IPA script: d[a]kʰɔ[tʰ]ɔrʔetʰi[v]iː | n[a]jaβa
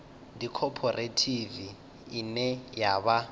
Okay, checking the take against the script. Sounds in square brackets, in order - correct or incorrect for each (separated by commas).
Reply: incorrect, incorrect, correct, incorrect